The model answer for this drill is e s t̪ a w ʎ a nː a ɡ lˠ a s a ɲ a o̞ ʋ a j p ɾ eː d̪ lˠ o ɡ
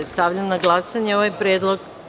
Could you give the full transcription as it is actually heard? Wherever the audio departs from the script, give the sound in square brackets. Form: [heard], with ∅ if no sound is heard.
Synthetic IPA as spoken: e s t̪ a [ʋ] ʎ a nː a ɡ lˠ a s a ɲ [e] o̞ ʋ a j p ɾ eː d̪ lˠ o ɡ

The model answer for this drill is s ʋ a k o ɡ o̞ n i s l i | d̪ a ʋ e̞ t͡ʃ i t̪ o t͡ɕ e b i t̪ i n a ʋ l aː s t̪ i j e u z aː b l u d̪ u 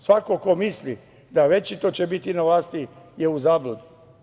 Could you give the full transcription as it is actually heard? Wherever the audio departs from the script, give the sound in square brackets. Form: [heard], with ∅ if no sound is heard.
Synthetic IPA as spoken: s ʋ a k o [k] o̞ [m] i s l i | d̪ a ʋ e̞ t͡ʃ i t̪ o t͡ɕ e b i t̪ i n a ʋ l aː s t̪ i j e u z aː b l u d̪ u

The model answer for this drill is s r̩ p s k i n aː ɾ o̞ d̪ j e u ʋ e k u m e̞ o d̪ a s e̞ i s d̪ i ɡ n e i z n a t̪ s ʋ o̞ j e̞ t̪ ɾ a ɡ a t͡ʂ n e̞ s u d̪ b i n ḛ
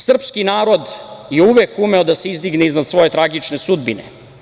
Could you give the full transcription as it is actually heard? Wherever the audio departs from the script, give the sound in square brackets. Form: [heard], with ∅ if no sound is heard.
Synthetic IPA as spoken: s r̩ p s k i n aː ɾ o̞ d̪ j e u ʋ e k u m e̞ o d̪ a s e̞ i [z] d̪ i ɡ n e i z n a [d̪] s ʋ o̞ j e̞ t̪ ɾ a ɡ [i] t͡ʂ n e̞ s u d̪ b i n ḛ

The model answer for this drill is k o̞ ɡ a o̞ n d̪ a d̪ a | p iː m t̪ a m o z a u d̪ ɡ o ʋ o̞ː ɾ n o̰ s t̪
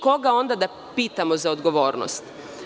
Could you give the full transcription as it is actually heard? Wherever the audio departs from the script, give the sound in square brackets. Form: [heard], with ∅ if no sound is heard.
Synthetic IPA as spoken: k o̞ ɡ a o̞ n d̪ a d̪ a | p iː [∅] t̪ a m o z a [o] d̪ ɡ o ʋ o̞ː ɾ n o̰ s t̪

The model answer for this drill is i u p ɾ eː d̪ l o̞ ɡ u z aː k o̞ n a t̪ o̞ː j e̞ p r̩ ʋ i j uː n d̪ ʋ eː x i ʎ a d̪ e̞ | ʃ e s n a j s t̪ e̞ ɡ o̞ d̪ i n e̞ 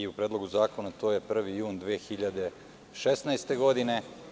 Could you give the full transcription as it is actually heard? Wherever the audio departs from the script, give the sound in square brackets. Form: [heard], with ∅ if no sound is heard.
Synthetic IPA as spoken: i u p ɾ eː d̪ l o̞ ɡ u z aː k o̞ n a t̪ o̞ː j e̞ p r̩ ʋ i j uː n d̪ ʋ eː x i ʎ a d̪ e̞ | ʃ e s n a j s t̪ e̞ ɡ o̞ d̪ i n e̞

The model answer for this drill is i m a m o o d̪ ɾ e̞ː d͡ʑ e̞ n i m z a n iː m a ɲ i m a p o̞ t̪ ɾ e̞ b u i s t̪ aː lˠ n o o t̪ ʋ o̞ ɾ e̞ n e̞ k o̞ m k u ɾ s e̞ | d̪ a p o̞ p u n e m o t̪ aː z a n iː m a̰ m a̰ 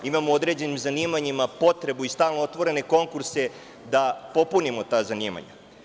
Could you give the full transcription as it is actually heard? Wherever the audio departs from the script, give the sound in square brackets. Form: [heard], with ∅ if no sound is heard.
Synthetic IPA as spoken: i m a m o o d̪ ɾ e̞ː d͡ʑ e̞ n i m z a n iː m a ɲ i m a p o̞ t̪ ɾ e̞ b u i s t̪ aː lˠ n o o t̪ ʋ o̞ ɾ e̞ n e̞ k o̞ [ŋ] k u ɾ s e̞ | d̪ a p o̞ p u n [i] m o t̪ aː z a n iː m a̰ [ɲ] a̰

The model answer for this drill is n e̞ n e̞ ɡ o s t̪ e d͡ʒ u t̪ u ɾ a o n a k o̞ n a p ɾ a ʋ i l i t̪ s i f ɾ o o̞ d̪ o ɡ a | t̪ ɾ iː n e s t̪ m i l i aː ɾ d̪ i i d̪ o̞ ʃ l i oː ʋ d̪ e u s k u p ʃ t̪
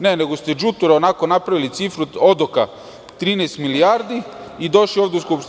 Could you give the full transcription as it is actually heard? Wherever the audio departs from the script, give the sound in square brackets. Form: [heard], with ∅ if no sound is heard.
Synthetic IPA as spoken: n e̞ n e̞ ɡ o s t̪ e d͡ʒ u t̪ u ɾ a o n a k o̞ n a p ɾ a ʋ i l i t̪ s i f ɾ [u] o̞ d̪ o [k] a | t̪ ɾ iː n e s t̪ m i l i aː ɾ d̪ i i d̪ o̞ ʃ l i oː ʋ d̪ e u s k u p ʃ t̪

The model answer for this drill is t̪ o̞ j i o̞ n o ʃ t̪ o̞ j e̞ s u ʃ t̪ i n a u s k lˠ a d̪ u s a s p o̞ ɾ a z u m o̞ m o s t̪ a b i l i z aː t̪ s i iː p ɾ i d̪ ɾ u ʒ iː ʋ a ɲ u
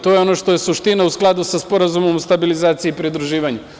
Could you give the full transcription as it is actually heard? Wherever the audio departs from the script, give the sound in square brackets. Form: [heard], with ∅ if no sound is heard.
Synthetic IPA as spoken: t̪ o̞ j [e] o̞ n o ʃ t̪ o̞ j e̞ s u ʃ t̪ i n a u s k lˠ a d̪ u s a s p o̞ ɾ a z u m o̞ m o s t̪ a b i l i z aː t̪ s i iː p ɾ i d̪ ɾ u ʒ iː ʋ a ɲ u

